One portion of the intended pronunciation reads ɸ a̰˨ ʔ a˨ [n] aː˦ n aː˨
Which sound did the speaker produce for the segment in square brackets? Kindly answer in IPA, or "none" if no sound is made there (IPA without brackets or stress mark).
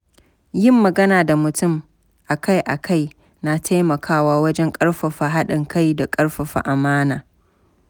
m